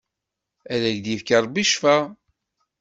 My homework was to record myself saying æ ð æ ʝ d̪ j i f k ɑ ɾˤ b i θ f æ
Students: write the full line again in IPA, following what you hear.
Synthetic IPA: æ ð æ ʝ d̪ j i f k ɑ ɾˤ b i ʃ f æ